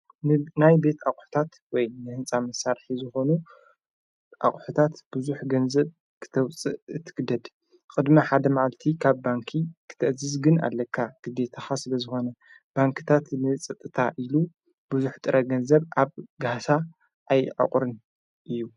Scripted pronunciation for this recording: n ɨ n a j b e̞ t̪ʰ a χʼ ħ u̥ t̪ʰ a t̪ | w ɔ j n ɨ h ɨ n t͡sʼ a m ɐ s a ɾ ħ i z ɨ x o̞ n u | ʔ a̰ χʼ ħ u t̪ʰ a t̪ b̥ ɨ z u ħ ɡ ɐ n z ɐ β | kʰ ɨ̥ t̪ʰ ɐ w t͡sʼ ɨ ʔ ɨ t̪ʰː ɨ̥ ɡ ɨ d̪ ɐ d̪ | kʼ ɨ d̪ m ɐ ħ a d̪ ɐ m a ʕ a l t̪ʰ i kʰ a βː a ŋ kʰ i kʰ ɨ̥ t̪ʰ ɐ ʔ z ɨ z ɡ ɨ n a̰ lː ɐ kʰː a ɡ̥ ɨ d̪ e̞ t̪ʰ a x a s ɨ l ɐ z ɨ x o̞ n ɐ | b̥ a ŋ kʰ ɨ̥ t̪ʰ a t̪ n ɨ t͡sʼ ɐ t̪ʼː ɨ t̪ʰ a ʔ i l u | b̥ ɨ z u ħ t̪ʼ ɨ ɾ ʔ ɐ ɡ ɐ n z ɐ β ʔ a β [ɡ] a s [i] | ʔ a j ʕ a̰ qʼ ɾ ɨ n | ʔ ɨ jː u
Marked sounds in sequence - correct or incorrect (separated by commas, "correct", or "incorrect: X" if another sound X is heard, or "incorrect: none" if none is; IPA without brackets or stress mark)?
correct, incorrect: a